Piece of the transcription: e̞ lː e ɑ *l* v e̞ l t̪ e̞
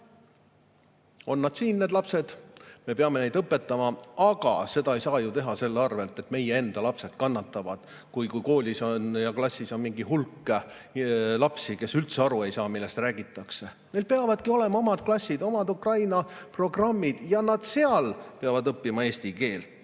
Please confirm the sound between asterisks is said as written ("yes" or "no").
no